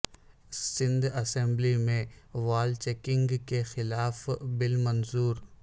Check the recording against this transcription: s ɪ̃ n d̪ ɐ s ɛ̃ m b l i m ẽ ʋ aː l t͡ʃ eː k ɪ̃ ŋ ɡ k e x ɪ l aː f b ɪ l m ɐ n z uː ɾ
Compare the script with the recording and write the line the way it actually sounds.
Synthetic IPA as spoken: s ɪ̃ n d̪ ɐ s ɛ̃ m b l i m ẽ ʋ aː l t͡ʃ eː k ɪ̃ ŋ ɡ k e x ɪ l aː f b ɪ l m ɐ n z uː ɾ